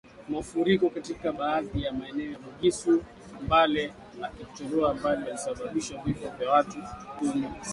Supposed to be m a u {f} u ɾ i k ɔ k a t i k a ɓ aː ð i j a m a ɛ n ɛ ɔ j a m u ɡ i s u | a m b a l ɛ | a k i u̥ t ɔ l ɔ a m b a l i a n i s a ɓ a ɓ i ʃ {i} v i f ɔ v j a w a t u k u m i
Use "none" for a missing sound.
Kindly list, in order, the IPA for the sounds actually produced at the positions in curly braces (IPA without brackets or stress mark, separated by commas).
f, a